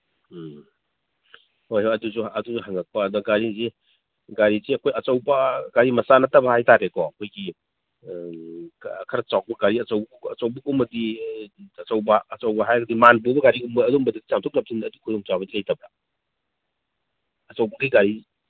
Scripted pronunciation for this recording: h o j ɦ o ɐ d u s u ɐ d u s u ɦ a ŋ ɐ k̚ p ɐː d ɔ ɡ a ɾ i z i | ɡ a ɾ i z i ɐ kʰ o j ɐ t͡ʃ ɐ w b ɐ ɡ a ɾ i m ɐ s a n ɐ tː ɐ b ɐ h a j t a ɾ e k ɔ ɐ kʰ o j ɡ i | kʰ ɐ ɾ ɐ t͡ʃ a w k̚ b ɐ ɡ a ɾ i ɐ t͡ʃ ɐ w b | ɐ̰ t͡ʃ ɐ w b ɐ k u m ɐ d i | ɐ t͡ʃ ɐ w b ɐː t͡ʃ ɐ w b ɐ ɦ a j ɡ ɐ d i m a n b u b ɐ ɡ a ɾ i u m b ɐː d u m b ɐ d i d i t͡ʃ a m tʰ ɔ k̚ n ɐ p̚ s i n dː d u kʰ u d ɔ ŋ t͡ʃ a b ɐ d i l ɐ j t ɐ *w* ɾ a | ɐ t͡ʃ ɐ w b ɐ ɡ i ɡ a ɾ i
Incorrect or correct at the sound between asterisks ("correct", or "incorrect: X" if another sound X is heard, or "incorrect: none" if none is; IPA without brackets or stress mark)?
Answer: incorrect: b